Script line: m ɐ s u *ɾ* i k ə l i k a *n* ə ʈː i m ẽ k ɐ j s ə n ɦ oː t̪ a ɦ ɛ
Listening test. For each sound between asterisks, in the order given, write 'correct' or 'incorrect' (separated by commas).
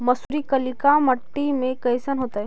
correct, incorrect